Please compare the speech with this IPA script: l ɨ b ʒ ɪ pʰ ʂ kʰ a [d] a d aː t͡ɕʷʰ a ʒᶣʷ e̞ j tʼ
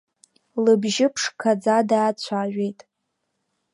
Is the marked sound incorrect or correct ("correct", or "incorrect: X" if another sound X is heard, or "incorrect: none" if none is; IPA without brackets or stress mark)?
incorrect: d͡z